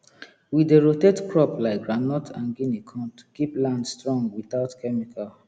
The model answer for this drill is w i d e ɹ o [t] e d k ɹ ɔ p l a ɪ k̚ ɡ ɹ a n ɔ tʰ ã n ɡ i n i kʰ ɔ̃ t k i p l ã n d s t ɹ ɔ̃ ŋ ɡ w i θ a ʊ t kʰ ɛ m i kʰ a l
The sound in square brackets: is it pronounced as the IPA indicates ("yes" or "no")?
yes